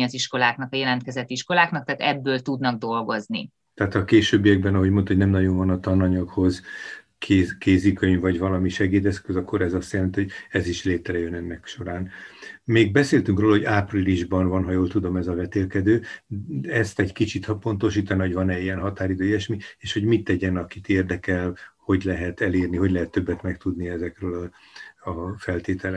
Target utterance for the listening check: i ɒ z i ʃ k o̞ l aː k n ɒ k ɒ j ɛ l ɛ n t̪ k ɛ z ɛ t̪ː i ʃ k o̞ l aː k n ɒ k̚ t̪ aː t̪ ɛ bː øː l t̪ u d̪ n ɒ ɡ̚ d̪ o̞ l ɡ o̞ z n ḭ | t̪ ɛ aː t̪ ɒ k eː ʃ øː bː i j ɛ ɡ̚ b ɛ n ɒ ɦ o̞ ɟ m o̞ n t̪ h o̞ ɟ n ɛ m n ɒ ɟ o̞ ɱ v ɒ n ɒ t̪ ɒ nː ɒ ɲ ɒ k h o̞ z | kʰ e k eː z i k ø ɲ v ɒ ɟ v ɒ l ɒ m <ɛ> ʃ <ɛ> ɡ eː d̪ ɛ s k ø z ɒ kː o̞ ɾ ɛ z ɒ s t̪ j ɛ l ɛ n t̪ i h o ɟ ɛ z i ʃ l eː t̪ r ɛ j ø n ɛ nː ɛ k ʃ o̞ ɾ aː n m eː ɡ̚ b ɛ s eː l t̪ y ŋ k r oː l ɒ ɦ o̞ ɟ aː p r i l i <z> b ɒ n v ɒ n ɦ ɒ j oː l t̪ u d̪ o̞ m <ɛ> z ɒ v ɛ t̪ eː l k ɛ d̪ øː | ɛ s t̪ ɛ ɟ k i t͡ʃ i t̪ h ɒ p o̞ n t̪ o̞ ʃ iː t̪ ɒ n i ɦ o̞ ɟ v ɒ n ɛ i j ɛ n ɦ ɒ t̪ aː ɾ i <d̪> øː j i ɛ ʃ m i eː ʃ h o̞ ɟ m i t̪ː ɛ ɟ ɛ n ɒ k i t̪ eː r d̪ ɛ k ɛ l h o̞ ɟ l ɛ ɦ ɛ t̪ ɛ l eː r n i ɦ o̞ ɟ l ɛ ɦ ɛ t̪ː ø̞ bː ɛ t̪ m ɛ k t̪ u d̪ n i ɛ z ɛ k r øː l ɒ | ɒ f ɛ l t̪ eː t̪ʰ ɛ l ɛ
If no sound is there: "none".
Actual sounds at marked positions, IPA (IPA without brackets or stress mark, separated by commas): i, ɛ, ʒ, ɛ, d̪